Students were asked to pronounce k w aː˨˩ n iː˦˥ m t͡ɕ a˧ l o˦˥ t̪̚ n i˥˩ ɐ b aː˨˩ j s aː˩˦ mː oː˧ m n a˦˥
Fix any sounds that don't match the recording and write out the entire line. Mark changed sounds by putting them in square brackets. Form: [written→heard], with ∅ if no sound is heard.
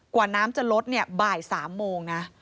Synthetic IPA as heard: k w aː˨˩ n [iː˦˥→aː˦˥] m t͡ɕ [a˧→a˨˩] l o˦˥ t̪̚ n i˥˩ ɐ b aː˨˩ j s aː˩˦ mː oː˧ [m→ŋ] n a˦˥